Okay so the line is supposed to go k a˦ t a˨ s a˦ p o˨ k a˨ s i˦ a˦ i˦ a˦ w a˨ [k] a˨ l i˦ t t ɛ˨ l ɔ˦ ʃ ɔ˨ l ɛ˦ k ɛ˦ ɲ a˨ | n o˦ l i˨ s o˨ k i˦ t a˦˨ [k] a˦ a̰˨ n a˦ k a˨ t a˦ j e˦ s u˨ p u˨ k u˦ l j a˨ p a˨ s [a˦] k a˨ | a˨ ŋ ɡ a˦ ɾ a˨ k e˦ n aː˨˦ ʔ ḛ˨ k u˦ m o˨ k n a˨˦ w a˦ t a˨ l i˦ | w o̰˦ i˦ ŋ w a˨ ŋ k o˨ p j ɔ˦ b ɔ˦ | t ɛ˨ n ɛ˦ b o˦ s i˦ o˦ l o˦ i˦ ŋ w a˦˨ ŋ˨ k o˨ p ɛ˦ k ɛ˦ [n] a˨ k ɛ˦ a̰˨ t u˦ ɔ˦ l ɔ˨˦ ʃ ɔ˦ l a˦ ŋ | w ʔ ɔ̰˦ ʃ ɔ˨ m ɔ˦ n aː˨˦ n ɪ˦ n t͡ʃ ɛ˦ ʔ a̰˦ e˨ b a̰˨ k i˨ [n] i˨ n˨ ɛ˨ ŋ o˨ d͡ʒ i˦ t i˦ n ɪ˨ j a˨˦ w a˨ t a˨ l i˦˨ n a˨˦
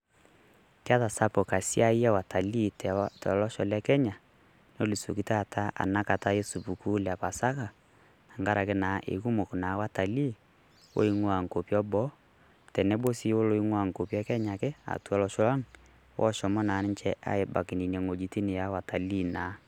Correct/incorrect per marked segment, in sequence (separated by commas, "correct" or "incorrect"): incorrect, incorrect, correct, incorrect, correct